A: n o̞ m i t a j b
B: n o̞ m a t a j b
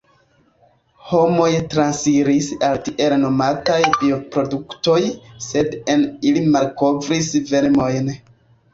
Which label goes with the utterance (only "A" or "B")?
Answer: B